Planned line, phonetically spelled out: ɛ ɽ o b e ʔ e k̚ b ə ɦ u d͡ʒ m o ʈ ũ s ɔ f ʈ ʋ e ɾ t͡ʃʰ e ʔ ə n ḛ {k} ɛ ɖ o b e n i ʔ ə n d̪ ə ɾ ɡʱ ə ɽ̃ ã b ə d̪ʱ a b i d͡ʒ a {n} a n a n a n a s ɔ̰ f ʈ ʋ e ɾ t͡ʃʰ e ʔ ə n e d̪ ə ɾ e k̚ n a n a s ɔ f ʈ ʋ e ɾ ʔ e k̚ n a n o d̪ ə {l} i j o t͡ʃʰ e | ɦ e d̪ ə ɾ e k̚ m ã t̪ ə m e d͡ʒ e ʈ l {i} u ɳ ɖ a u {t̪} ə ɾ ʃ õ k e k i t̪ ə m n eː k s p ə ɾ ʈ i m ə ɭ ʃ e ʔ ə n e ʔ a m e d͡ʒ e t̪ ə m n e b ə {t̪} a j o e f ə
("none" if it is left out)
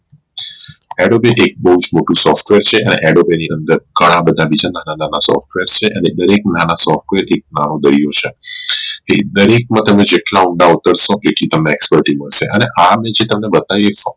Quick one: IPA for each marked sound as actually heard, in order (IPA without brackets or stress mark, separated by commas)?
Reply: ʔ, n, ɾ, a, t̪, t̪